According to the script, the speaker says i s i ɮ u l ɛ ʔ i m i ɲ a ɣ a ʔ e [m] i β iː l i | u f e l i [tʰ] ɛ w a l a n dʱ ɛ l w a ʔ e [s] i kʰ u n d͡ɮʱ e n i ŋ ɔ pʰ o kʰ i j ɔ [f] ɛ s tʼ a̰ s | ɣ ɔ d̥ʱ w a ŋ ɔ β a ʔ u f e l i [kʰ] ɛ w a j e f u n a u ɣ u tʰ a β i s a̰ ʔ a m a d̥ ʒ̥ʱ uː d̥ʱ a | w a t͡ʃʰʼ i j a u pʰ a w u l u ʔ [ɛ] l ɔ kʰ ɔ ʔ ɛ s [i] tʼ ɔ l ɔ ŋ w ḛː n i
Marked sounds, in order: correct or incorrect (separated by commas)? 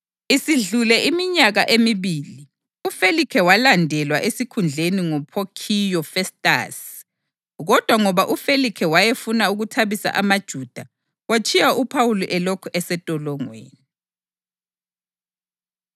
correct, incorrect, correct, correct, correct, correct, incorrect